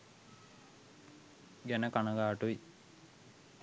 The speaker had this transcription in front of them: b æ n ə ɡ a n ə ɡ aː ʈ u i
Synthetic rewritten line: ɡ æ n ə k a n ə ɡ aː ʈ u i

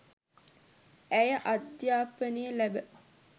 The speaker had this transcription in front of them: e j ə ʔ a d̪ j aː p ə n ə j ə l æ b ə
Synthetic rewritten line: æ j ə ʔ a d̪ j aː p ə n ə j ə l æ b ə

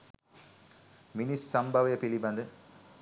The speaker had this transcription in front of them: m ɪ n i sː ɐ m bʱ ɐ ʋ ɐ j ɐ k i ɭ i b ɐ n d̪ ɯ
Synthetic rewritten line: m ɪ n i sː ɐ m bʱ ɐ ʋ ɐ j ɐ p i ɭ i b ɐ n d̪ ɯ

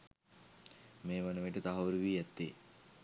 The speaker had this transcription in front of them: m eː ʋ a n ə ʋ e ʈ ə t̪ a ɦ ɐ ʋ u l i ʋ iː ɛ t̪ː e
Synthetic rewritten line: m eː ʋ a n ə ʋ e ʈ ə t̪ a ɦ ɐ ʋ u ɾ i ʋ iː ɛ t̪ː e

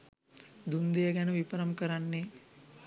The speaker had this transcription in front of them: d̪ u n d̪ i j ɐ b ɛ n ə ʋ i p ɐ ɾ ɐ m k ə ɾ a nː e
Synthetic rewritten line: d̪ u n d̪ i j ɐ ɡ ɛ n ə ʋ i p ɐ ɾ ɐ m k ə ɾ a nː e

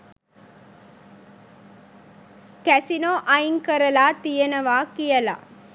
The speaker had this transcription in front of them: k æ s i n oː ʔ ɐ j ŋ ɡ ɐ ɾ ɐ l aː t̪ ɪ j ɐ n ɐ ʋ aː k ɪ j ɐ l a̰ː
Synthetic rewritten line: k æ s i n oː ʔ ɐ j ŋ k ɐ ɾ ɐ l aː t̪ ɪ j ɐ n ɐ ʋ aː k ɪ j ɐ l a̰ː

